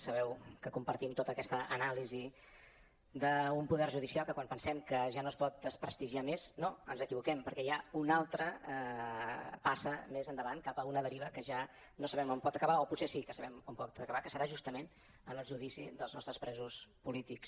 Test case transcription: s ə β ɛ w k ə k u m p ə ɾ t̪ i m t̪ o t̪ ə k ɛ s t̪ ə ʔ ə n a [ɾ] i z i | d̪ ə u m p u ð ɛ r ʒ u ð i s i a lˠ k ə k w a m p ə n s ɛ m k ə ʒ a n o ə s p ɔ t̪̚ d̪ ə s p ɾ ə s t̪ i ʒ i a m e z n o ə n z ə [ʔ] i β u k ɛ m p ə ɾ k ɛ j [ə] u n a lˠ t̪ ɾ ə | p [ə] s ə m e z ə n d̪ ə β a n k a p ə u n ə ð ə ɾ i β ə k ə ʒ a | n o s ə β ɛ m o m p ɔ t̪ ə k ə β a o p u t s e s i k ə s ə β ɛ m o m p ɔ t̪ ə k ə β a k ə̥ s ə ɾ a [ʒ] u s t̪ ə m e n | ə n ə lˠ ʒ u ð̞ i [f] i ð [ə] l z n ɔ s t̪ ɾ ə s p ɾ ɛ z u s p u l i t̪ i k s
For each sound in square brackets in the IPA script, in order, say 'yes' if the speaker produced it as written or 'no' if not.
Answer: no, no, no, no, yes, no, yes

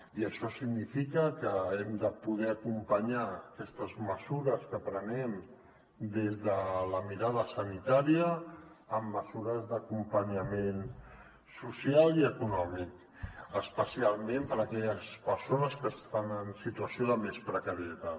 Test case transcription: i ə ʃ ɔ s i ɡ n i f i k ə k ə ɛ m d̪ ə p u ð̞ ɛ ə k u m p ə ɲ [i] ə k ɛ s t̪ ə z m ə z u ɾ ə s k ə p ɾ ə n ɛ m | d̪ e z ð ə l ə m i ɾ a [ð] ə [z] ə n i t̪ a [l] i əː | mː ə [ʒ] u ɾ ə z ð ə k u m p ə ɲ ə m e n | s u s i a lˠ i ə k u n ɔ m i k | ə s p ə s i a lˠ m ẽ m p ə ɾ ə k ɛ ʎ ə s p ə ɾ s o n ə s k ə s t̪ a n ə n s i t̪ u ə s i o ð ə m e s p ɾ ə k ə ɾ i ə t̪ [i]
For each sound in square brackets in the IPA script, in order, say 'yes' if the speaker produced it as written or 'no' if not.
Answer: no, yes, no, no, no, no

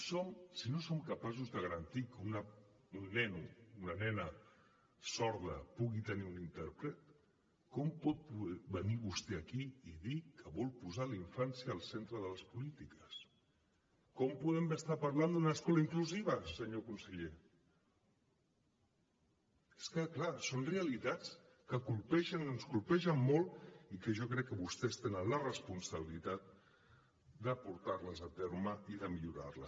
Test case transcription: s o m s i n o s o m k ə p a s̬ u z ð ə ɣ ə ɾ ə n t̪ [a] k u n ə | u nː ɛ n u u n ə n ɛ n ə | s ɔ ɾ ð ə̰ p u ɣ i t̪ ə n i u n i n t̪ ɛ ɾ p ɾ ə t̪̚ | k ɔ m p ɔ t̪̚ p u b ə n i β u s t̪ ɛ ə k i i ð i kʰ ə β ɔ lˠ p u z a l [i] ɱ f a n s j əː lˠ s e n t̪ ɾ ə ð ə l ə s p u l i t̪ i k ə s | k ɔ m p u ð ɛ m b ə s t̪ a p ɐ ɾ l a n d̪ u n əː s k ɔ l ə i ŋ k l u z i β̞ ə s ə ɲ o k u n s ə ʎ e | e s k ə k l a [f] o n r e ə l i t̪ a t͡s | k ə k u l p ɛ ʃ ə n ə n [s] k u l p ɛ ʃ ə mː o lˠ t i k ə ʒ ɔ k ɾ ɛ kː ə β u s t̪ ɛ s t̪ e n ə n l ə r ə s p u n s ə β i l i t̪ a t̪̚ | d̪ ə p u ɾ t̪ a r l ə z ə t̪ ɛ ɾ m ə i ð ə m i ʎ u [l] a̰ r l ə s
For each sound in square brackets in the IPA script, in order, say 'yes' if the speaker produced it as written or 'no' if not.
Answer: no, yes, no, yes, no

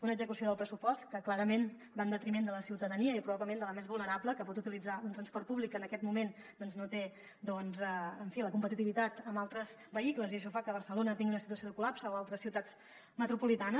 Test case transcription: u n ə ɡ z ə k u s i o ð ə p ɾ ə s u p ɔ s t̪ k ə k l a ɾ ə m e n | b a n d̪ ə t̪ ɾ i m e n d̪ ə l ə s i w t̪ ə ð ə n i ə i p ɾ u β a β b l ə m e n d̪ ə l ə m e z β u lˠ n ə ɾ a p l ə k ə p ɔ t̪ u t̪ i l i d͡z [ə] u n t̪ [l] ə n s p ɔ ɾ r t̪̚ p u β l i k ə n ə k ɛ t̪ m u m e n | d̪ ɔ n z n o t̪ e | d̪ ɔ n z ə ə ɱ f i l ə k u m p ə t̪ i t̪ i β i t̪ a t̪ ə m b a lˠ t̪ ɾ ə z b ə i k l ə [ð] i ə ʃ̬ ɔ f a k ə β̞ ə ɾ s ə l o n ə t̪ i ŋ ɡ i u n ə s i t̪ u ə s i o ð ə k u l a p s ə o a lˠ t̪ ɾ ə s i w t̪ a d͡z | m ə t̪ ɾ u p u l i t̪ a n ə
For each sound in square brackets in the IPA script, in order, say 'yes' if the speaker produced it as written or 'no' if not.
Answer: no, no, no

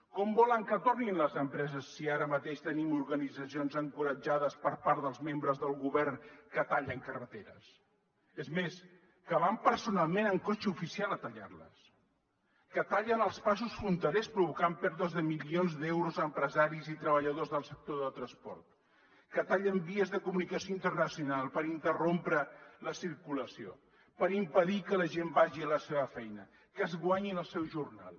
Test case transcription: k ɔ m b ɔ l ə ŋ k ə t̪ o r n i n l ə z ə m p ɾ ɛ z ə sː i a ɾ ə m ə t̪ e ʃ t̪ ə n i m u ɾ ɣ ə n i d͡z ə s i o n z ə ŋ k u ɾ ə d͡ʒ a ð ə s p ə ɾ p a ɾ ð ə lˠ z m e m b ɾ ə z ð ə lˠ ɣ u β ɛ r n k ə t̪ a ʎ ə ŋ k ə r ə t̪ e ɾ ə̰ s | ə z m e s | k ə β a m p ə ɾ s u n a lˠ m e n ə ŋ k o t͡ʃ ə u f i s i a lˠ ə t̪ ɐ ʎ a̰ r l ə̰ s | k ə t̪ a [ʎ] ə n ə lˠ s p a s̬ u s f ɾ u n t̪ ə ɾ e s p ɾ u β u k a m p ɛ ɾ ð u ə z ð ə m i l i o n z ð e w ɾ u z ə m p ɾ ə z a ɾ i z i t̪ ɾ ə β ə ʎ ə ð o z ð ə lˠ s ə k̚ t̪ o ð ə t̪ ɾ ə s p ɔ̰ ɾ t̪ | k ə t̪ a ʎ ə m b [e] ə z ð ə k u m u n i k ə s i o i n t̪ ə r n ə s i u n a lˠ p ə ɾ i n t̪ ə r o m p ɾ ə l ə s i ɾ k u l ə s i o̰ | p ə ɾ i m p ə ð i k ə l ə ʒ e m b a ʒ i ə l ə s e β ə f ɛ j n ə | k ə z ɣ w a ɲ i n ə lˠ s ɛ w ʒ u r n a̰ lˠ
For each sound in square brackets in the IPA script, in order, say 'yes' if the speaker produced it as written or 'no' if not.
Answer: yes, no

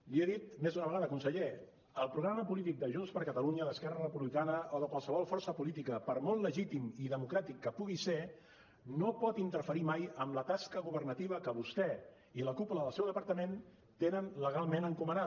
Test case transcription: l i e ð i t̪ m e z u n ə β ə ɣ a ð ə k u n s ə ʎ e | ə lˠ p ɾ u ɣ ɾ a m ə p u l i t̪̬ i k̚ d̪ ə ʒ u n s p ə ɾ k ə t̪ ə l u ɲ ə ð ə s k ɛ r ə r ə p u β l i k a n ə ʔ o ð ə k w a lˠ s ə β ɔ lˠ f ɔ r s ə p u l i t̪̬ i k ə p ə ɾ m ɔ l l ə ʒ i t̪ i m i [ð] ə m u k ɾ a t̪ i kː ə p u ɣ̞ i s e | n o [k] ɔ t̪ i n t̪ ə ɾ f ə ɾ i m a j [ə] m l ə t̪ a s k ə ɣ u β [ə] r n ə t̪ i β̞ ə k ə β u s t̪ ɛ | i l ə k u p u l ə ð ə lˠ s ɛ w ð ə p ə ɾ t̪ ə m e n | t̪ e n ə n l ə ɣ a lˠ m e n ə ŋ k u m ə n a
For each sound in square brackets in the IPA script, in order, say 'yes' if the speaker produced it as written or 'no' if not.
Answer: yes, no, yes, yes

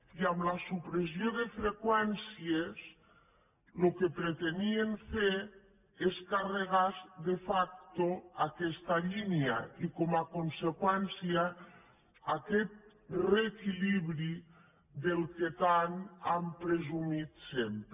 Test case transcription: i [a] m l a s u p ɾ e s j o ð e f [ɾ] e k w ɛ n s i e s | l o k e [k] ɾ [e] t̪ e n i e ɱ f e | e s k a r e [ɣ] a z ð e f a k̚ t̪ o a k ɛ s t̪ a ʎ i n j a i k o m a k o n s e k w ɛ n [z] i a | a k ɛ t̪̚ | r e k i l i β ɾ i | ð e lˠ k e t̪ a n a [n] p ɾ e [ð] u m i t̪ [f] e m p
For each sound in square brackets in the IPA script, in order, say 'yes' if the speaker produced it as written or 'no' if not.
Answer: yes, yes, no, yes, yes, no, no, no, no

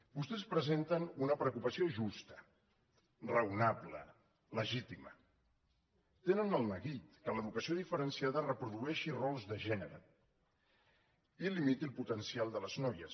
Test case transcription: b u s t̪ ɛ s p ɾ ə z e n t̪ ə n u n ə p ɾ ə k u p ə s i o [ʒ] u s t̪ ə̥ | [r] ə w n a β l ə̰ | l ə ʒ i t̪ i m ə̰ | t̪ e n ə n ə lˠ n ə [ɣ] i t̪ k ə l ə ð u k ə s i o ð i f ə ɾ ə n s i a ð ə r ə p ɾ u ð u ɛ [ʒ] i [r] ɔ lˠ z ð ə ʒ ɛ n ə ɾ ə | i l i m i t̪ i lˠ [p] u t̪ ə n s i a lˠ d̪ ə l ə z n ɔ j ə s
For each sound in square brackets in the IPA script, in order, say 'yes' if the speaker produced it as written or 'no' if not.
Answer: yes, yes, yes, no, yes, yes

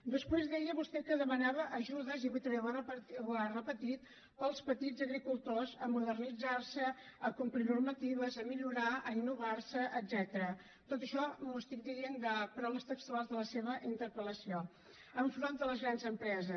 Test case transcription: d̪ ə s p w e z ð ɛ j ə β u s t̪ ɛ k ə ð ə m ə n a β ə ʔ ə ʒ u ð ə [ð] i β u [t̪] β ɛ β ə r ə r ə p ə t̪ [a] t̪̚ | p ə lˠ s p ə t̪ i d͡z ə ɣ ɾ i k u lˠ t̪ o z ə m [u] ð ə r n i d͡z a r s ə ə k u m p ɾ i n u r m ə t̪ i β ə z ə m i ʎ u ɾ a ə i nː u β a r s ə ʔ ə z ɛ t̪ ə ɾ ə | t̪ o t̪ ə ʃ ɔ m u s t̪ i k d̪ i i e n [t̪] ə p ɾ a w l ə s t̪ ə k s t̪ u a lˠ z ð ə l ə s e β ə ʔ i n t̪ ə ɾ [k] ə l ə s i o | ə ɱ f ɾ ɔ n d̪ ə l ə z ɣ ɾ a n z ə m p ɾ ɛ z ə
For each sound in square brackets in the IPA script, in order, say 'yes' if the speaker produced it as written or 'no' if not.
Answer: no, yes, no, yes, no, no

